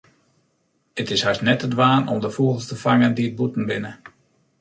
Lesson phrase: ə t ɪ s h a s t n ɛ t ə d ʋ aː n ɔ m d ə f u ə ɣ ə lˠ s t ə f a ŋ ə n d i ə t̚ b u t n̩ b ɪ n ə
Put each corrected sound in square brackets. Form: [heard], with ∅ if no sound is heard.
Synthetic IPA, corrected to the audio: ə t ɪ s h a s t n ɛ t ə d ʋ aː n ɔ m d ə f u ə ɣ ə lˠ s t ə f a ŋ ə n d i ə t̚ b u t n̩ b ɪ n ə

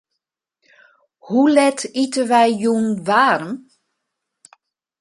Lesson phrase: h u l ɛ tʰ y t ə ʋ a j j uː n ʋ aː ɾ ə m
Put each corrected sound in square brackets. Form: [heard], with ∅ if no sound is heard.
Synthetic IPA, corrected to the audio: h u l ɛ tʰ [i] t ə ʋ [ɛ] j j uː n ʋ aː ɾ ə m

